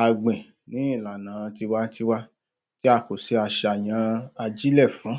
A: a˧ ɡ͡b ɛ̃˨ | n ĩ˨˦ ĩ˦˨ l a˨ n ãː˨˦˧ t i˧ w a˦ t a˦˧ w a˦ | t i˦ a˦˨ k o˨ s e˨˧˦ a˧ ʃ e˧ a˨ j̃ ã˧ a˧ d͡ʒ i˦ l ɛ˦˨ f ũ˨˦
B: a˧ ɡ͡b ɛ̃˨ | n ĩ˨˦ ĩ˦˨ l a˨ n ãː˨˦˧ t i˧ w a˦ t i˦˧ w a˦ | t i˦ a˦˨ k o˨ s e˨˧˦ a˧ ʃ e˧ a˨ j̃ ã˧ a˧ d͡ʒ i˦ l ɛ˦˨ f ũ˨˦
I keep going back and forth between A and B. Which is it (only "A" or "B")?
B